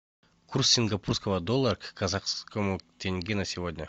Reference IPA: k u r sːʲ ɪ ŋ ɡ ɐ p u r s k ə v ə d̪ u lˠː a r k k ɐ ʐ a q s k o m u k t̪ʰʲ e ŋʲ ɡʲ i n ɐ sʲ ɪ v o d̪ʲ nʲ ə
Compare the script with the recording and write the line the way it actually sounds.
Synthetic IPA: k u r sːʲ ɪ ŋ ɡ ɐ p u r s k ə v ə d̪ o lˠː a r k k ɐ z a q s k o m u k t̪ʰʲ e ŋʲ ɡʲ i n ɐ sʲ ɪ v o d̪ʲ nʲ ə